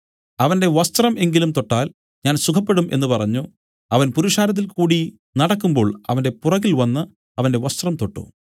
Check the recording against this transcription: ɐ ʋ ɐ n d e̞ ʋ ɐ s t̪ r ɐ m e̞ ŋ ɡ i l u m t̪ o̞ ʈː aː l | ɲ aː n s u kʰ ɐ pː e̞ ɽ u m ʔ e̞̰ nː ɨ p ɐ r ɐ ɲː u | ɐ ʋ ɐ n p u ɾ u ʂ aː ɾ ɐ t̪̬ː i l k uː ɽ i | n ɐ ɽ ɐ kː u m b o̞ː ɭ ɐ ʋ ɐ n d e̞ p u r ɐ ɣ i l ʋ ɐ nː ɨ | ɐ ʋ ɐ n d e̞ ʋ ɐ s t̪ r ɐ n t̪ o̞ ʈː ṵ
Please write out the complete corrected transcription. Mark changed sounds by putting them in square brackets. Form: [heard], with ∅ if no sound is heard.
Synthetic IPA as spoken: ɐ ʋ ɐ n d e̞ ʋ ɐ s t̪ r ɐ m e̞ ŋ ɡ i l u m t̪ o̞ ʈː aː l | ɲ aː n s u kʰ ɐ pː e̞ ɽ u m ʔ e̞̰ nː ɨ p ɐ r ɐ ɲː u | ɐ ʋ ɐ n p u ɾ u ʂ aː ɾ ɐ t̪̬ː i l k uː ɽ i | n ɐ ɽ ɐ kː u m b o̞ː ɭ ɐ ʋ ɐ n d e̞ p u r ɐ ɣ i l ʋ ɐ nː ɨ | ɐ ʋ ɐ n d e̞ ʋ ɐ s t̪ r ɐ [m] t̪ o̞ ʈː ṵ